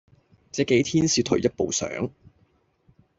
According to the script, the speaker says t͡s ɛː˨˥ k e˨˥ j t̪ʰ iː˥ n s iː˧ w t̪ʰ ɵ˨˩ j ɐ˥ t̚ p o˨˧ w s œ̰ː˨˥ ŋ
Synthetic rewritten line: t͡s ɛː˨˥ k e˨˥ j t̪ʰ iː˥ n s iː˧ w t̪ʰ ɵ˨˩ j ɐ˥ t̚ p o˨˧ w s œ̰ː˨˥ ŋ